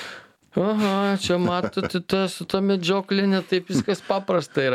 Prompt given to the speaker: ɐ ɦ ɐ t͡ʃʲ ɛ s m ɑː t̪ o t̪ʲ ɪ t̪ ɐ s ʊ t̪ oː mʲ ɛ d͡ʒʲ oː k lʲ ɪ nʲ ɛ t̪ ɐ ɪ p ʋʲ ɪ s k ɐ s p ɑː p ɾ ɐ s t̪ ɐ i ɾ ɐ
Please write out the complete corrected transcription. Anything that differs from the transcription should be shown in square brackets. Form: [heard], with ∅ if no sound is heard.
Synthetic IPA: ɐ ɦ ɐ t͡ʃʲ ɛ [∅] m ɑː t̪ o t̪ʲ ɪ t̪ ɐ s ʊ t̪ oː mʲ ɛ d͡ʒʲ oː k lʲ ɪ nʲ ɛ t̪ ɐ ɪ p ʋʲ ɪ s k ɐ s p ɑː p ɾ ɐ s t̪ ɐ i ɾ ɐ

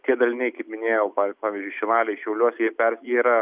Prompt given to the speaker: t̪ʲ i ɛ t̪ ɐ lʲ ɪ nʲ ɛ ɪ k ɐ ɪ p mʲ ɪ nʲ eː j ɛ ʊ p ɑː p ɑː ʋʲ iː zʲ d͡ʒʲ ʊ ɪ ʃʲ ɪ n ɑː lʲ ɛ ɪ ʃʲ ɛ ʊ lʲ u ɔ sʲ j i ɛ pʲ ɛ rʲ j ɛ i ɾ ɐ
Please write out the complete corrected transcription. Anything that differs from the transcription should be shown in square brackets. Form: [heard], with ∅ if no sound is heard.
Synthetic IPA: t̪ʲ i ɛ [d̪] ɐ lʲ ɪ nʲ ɛ ɪ k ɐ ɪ p mʲ ɪ nʲ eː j ɛ ʊ p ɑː p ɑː ʋʲ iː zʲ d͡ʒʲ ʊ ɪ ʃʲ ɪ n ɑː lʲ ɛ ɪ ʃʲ ɛ ʊ lʲ u ɔ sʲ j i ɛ pʲ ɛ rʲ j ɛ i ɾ ɐ

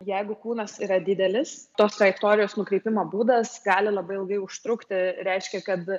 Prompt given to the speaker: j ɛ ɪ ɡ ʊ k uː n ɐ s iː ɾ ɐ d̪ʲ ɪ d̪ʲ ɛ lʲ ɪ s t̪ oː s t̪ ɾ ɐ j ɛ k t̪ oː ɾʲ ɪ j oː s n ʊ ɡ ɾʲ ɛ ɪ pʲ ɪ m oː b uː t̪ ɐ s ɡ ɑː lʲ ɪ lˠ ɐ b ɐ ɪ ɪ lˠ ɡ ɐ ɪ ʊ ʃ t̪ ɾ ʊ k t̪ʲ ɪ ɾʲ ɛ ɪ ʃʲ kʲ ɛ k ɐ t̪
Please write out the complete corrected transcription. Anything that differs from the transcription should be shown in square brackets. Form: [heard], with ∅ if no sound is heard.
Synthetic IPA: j ɛ ɪ ɡ ʊ k uː n ɐ s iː ɾ ɐ d̪ʲ ɪ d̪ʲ ɛ lʲ ɪ s t̪ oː s t̪ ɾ ɐ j ɛ k t̪ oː ɾʲ ɪ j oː s n ʊ [k] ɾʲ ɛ ɪ pʲ ɪ m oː b uː [d̪] ɐ s ɡ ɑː lʲ ɪ lˠ ɐ b ɐ ɪ ɪ lˠ ɡ ɐ ɪ ʊ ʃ t̪ ɾ ʊ k t̪ʲ ɪ ɾʲ ɛ ɪ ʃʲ kʲ ɛ k ɐ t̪

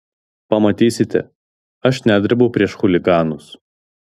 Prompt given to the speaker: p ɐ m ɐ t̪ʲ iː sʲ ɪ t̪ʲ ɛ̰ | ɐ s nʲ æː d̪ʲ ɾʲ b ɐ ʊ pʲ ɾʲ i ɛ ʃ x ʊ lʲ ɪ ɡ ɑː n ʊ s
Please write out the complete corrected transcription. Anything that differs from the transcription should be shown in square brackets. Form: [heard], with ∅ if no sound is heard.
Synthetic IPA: p ɐ m ɐ t̪ʲ iː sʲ ɪ t̪ʲ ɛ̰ | ɐ [ʃ] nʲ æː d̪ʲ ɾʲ b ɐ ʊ pʲ ɾʲ i ɛ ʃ x ʊ lʲ ɪ ɡ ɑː n ʊ s

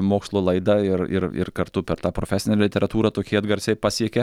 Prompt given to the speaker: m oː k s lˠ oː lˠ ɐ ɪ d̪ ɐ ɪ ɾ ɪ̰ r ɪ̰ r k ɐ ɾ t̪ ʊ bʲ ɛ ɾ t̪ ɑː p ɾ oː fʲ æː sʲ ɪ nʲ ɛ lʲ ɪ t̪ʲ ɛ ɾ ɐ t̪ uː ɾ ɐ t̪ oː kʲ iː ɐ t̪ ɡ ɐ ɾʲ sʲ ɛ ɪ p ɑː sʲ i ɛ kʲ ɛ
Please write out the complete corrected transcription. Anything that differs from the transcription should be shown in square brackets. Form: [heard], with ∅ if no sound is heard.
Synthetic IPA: m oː k s lˠ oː lˠ ɐ ɪ d̪ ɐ ɪ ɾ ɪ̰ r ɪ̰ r k ɐ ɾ t̪ ʊ [pʲ] ɛ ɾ t̪ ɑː p ɾ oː fʲ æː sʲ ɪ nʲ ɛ lʲ ɪ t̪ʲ ɛ ɾ ɐ t̪ uː ɾ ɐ t̪ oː kʲ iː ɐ [d̪] ɡ ɐ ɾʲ sʲ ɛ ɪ p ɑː sʲ i ɛ kʲ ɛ

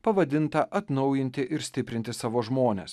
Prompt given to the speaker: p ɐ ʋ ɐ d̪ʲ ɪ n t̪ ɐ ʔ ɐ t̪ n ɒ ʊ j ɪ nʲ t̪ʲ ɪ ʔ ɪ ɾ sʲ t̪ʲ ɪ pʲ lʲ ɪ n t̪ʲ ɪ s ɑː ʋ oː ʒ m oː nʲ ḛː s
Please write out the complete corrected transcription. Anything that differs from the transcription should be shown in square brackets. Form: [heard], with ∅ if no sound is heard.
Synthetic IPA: p ɐ ʋ ɐ d̪ʲ ɪ n t̪ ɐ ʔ ɐ t̪ n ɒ ʊ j ɪ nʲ t̪ʲ ɪ ʔ ɪ ɾ sʲ t̪ʲ ɪ pʲ [ɾʲ] ɪ n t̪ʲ ɪ s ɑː ʋ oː ʒ m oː nʲ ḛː s

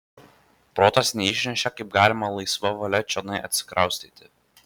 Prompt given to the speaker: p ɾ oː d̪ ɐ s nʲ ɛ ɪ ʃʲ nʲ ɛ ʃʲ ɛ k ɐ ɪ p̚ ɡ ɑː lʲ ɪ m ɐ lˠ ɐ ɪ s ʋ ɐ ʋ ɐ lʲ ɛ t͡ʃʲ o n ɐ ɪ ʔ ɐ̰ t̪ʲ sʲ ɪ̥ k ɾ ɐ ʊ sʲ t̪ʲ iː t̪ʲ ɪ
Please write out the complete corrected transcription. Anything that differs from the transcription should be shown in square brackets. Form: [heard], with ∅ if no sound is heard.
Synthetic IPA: p ɾ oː [t̪] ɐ s nʲ ɛ ɪ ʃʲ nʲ ɛ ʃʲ ɛ k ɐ ɪ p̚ ɡ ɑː lʲ ɪ m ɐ lˠ ɐ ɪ s ʋ ɐ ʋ ɐ lʲ ɛ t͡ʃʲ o n ɐ ɪ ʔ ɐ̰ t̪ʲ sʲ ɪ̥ k ɾ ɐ ʊ sʲ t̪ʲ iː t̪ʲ ɪ

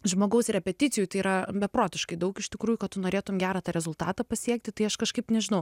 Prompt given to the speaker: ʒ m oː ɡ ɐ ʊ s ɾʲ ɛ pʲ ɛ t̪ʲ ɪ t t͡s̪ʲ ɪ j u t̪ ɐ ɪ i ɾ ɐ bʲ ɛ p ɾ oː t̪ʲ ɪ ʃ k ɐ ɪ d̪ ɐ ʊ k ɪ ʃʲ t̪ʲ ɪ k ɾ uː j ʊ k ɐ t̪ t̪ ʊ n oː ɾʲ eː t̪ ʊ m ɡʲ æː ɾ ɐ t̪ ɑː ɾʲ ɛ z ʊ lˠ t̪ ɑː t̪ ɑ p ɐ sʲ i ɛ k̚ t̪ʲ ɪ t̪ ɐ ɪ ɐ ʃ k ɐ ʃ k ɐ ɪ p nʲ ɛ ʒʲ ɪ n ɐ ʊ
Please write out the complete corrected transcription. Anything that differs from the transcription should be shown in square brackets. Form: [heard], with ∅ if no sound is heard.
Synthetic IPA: ʒ m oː ɡ ɐ ʊ s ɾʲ ɛ pʲ ɛ t̪ʲ ɪ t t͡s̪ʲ ɪ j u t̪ ɐ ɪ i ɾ ɐ bʲ ɛ p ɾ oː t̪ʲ ɪ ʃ k ɐ ɪ d̪ ɐ ʊ k ɪ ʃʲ t̪ʲ ɪ k ɾ uː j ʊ k ɐ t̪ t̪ ʊ n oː ɾʲ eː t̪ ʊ m ɡʲ æː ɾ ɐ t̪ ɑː ɾʲ ɛ z ʊ lˠ t̪ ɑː t̪ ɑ p ɐ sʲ i ɛ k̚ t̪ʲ ɪ t̪ ɐ ɪ ɐ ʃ k ɐ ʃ k ɐ ɪ p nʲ ɛ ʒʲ ɪ n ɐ ʊ

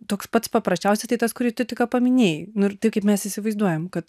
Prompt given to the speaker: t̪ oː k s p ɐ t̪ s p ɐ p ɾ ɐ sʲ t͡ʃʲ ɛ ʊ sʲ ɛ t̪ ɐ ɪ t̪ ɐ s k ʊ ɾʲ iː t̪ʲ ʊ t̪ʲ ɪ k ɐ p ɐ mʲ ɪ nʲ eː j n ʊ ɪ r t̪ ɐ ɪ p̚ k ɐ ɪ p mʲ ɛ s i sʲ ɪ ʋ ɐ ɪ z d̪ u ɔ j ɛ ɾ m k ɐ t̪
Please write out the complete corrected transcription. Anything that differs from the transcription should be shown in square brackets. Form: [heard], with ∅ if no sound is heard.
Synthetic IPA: t̪ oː k s p ɐ t̪ s p ɐ p ɾ ɐ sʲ t͡ʃʲ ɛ ʊ sʲ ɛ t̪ ɐ ɪ t̪ ɐ s k ʊ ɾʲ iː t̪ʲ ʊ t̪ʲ ɪ k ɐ p ɐ mʲ ɪ nʲ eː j n ʊ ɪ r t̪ ɐ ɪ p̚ k ɐ ɪ p mʲ ɛ s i sʲ ɪ ʋ ɐ ɪ z d̪ u ɔ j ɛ [∅] m k ɐ t̪

